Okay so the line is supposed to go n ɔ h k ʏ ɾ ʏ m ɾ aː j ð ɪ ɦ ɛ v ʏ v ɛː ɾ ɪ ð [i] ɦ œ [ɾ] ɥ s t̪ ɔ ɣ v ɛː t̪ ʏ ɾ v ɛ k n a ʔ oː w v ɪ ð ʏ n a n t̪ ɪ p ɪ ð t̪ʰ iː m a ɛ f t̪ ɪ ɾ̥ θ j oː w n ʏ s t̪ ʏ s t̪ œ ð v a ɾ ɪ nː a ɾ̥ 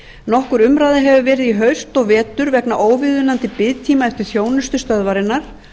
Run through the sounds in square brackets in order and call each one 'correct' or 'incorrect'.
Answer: correct, incorrect: none

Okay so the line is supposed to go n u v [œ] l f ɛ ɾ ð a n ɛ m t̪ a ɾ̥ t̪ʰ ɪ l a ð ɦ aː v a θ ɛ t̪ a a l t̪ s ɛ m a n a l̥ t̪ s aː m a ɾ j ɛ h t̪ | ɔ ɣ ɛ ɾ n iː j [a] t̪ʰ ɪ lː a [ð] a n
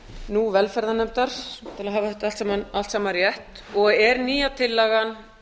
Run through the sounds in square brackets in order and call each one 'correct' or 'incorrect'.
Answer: incorrect: ɛ, correct, incorrect: ɣ

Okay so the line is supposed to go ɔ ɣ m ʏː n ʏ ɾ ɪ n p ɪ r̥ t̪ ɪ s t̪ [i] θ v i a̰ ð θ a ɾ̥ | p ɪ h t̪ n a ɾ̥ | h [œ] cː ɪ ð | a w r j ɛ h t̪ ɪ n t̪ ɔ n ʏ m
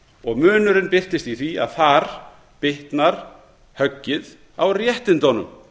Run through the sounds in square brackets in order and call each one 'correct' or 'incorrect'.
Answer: correct, correct

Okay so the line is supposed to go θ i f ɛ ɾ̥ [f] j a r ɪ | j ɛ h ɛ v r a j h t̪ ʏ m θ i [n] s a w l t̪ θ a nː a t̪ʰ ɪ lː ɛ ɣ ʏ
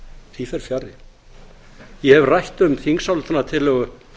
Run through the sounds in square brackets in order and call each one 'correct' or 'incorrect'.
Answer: correct, incorrect: ŋ

